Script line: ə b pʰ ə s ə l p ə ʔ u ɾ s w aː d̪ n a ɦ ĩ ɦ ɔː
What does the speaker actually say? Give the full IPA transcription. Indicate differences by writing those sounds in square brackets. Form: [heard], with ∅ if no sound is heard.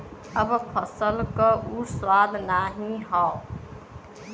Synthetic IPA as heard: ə b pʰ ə s ə l [k] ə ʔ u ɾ s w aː d̪ n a ɦ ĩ ɦ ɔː